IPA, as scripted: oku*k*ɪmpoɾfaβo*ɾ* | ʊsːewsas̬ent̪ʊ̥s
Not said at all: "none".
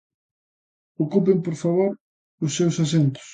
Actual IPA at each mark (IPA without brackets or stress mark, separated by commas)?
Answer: p, ɾ